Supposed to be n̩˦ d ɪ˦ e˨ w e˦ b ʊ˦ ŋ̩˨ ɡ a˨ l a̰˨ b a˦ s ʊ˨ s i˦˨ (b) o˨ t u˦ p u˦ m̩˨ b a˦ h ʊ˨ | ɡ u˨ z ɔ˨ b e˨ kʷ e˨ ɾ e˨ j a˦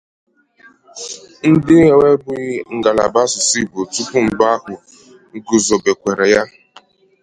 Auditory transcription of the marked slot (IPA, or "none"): b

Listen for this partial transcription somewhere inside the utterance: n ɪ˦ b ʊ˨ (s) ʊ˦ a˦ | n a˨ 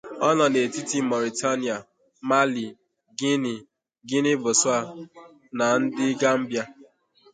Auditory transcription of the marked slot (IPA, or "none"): s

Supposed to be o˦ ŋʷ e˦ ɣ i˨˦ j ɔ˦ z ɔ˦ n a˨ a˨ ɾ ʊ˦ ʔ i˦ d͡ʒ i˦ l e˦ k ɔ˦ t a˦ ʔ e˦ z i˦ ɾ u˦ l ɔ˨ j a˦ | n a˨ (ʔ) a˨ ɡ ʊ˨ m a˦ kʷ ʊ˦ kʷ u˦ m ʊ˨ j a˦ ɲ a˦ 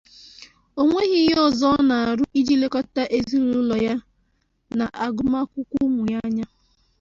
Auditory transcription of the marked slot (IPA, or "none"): ʔ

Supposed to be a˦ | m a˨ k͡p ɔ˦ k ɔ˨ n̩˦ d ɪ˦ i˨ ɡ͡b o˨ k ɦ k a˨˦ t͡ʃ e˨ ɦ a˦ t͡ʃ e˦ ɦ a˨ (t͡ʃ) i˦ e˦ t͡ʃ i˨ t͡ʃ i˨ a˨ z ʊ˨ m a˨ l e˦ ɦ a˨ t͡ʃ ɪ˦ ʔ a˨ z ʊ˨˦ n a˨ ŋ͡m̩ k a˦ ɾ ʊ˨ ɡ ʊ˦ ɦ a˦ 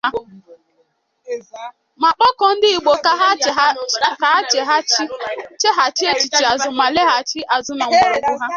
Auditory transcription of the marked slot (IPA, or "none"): t͡ʃ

